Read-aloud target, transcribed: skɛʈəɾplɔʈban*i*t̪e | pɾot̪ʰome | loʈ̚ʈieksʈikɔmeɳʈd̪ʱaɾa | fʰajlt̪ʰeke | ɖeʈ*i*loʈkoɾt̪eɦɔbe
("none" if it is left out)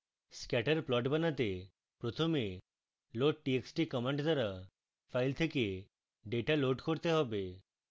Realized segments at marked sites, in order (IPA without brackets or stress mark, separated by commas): a, a